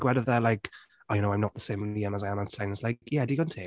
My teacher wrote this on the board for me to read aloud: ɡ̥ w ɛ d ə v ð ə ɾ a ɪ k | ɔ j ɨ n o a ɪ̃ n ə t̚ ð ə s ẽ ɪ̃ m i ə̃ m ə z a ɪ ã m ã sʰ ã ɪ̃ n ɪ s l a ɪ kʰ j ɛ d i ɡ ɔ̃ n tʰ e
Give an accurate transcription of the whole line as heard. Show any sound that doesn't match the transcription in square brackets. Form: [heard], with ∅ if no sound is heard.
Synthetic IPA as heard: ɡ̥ w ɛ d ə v ð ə [l] a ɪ k | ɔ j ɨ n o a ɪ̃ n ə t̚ ð ə s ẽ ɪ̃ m i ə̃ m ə z a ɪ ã m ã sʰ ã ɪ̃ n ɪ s l a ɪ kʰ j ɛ d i ɡ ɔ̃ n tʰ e